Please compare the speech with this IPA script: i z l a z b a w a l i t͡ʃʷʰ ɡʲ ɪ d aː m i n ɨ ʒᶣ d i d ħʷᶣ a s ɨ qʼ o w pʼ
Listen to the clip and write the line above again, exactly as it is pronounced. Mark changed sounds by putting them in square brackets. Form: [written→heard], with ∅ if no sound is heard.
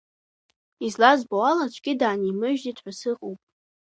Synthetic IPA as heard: i z l a z b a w a l [i→a] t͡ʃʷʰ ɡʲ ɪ d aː [m→n] i [n→m] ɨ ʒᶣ d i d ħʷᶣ a s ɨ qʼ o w pʼ